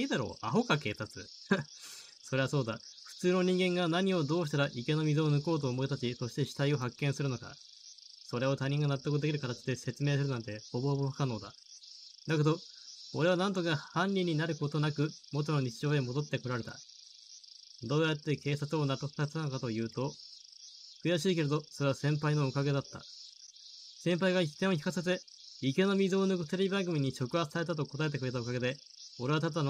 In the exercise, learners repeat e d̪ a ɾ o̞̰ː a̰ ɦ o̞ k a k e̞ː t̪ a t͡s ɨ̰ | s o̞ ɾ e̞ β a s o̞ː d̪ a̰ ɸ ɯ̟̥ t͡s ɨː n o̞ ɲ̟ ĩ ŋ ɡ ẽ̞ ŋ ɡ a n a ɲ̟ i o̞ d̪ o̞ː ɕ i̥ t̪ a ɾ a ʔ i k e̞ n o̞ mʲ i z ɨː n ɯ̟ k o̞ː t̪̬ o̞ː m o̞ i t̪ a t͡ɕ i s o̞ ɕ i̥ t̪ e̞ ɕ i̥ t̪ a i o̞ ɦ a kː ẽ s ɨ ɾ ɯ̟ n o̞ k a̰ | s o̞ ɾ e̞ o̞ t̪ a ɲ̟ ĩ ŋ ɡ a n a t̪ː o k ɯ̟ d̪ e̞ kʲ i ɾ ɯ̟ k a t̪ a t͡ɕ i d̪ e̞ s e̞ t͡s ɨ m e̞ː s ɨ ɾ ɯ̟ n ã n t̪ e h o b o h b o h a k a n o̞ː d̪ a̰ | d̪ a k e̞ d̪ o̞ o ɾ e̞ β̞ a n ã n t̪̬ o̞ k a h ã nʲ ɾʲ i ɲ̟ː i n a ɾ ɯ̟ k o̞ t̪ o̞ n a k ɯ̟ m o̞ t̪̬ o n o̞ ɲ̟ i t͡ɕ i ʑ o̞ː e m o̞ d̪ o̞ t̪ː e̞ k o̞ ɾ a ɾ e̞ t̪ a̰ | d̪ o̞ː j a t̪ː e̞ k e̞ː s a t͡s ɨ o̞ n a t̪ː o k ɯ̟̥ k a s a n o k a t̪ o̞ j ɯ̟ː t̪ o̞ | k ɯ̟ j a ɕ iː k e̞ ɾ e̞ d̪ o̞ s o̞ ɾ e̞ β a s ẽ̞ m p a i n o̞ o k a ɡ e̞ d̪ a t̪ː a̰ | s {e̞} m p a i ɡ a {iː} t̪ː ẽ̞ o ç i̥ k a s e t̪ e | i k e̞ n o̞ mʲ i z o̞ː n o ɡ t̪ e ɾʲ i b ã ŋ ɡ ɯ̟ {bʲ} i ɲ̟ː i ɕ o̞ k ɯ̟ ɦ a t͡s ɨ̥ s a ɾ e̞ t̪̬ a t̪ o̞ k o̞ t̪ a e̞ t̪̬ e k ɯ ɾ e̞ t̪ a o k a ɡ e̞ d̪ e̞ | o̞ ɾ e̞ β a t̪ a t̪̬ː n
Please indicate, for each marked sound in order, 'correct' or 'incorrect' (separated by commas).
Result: incorrect, incorrect, incorrect